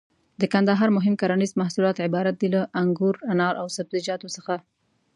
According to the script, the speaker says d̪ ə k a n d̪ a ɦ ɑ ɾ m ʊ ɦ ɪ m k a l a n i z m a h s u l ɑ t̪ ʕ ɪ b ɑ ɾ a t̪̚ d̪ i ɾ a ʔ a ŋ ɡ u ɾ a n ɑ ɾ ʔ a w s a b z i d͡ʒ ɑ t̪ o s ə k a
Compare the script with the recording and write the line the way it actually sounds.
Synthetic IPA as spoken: d̪ ə k a n d̪ a ɦ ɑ ɾ m ʊ ɦ ɪ m k a ɾ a n i z m a h s u l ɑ t̪ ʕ ɪ b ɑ ɾ a t̪̚ d̪ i l a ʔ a ŋ ɡ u ɾ a n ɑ ɾ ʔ a w s a b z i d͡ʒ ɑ t̪ o s ə x a